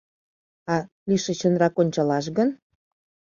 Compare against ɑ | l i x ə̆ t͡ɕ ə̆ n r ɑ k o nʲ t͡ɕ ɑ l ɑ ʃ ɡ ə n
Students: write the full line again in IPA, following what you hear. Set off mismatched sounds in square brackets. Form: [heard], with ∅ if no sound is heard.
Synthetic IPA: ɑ | l i [ʃ] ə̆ t͡ɕ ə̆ n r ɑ k o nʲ t͡ɕ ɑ l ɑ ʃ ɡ ə n